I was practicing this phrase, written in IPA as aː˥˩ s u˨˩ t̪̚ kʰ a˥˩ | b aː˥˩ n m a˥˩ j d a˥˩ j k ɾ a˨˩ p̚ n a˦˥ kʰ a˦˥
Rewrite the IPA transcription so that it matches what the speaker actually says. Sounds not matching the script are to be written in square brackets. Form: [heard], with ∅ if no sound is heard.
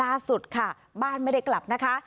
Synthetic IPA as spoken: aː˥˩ s u˨˩ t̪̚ kʰ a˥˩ | b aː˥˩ n m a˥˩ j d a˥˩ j k [l] a˨˩ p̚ n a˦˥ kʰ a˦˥